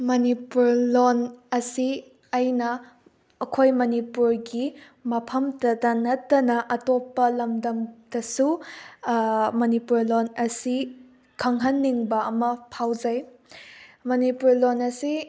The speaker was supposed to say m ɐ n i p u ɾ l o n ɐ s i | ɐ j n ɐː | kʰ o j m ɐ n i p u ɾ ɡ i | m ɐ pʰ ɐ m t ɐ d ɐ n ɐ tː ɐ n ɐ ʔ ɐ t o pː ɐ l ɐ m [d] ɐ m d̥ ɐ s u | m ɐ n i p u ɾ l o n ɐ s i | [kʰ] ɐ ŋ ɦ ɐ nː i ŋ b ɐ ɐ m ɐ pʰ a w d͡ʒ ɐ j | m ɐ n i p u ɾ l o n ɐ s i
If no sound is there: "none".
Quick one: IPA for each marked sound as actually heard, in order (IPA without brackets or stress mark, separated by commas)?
d, kʰ